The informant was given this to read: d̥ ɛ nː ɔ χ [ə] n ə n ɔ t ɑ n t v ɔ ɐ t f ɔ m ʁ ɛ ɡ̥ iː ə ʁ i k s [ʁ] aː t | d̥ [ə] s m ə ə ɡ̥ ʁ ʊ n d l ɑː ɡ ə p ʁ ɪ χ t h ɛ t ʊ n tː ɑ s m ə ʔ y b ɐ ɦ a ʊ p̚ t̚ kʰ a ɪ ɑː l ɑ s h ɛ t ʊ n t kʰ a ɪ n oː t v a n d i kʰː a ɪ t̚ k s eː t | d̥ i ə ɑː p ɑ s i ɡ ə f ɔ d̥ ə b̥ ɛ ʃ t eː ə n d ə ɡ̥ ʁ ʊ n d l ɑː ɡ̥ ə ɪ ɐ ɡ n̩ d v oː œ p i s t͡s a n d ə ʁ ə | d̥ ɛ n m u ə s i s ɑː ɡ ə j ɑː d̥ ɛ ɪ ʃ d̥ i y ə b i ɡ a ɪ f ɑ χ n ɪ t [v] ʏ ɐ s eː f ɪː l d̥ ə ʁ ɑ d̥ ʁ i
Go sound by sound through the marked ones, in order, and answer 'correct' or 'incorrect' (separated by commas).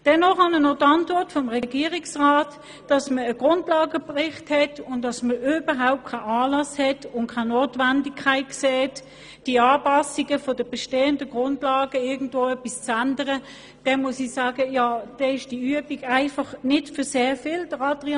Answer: incorrect, correct, incorrect, incorrect